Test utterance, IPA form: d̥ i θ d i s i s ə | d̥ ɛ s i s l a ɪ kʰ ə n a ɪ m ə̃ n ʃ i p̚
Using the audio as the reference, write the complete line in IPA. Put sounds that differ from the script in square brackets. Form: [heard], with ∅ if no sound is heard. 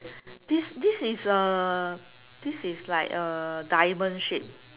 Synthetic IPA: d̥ i [s] d i s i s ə | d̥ [i] s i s l a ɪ [k] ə [d] a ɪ m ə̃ n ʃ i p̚